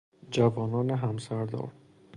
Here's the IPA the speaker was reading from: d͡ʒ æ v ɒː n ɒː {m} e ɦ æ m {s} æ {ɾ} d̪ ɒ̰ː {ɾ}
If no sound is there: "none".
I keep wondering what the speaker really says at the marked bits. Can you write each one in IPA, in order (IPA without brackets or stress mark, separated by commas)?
n, s, ɾ, ɾ